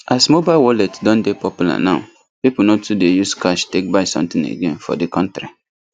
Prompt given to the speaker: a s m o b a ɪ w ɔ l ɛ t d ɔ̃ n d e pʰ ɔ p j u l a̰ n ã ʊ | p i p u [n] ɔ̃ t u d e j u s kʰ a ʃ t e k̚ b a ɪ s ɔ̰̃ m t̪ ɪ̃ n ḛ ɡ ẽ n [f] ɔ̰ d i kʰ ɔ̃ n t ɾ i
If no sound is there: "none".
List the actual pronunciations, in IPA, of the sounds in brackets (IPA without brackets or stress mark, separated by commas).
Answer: n, f